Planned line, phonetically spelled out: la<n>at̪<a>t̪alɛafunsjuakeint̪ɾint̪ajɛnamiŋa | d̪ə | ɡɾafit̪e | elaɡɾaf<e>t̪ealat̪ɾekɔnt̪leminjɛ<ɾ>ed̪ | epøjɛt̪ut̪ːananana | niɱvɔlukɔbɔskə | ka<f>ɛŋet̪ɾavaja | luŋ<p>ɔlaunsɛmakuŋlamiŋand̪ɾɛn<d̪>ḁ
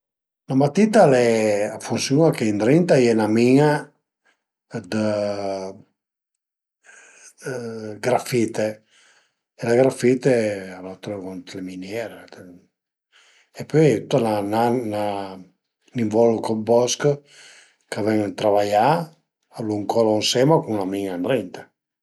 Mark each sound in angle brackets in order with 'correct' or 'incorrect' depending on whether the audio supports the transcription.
incorrect: m, incorrect: i, incorrect: i, correct, incorrect: v, incorrect: k, incorrect: t̪

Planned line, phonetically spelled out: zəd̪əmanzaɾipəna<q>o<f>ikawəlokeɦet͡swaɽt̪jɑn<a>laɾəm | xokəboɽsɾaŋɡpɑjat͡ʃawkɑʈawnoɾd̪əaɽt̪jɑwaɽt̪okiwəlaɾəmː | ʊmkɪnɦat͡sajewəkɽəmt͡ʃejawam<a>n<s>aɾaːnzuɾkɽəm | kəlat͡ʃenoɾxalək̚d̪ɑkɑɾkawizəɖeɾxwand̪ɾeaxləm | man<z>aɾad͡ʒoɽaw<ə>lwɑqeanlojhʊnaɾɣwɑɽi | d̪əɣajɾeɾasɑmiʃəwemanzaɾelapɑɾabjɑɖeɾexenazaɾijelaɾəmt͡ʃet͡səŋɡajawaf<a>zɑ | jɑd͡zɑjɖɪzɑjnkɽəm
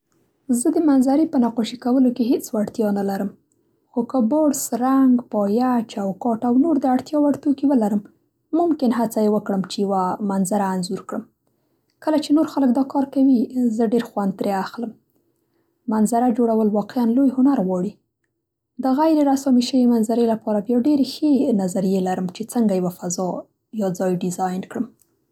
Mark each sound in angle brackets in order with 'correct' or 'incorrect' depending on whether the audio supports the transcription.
correct, incorrect: ʃ, correct, correct, incorrect: z, correct, correct, correct

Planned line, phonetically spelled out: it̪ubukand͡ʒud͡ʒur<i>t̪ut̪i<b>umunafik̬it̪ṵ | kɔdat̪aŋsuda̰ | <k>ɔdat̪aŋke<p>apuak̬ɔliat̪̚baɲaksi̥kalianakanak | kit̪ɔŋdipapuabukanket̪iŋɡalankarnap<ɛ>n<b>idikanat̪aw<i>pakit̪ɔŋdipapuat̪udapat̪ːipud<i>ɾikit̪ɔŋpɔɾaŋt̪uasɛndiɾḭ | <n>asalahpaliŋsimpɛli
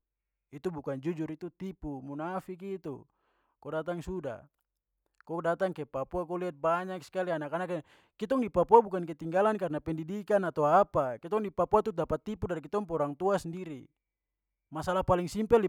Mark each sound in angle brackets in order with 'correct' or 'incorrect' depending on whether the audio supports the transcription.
correct, incorrect: p, correct, correct, correct, incorrect: d, incorrect: a, incorrect: a, incorrect: m

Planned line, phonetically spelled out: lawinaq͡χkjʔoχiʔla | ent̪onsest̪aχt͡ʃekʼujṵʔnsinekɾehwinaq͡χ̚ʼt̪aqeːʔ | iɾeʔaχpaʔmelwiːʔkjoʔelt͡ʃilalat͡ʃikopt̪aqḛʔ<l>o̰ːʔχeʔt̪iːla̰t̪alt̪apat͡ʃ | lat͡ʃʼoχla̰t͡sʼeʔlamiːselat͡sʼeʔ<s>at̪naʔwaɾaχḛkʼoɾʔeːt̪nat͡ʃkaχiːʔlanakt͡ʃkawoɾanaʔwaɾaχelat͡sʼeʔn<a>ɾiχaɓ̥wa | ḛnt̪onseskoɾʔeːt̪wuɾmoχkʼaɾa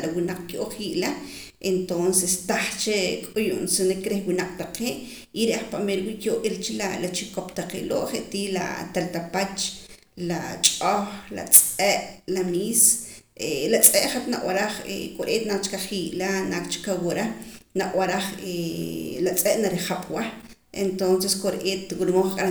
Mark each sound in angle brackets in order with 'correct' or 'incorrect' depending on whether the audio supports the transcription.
correct, incorrect: χ, correct

